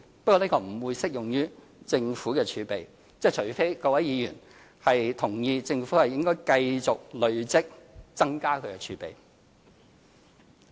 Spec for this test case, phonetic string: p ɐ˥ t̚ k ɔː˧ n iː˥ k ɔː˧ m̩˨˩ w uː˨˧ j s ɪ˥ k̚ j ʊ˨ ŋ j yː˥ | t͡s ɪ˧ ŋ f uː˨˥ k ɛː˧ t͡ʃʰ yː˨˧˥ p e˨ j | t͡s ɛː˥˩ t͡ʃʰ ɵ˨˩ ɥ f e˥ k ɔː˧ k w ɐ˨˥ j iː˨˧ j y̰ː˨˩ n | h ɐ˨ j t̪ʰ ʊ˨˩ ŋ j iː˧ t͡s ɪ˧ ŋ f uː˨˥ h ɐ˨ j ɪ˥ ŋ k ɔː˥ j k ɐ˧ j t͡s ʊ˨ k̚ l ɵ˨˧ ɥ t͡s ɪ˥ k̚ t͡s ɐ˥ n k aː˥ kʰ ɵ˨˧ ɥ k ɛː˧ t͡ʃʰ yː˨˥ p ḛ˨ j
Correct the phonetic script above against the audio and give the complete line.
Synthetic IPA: p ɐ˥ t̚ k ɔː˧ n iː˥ k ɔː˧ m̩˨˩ w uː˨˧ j s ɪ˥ k̚ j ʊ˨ ŋ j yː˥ | t͡s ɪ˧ ŋ f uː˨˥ k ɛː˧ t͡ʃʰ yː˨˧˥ p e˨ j | t͡s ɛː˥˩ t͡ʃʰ ɵ˨˩ ɥ f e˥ k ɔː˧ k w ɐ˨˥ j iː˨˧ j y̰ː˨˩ n | h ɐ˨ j t̪ʰ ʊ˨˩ ŋ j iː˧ t͡s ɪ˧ ŋ f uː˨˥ h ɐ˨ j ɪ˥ ŋ k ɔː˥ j k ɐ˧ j t͡s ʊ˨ k̚ l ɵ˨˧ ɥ t͡s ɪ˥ k̚ t͡s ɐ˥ ŋ k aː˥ kʰ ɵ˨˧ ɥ k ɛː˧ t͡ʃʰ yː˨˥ p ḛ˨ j